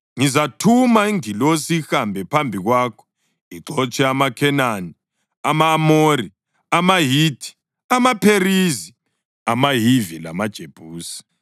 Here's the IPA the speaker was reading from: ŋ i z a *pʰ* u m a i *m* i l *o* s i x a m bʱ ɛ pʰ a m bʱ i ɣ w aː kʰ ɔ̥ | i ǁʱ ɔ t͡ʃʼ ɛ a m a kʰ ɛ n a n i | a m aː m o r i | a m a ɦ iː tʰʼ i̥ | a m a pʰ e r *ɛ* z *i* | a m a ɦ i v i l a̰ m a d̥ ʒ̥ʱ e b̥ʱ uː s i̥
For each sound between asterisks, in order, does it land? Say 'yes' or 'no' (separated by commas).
no, no, yes, no, yes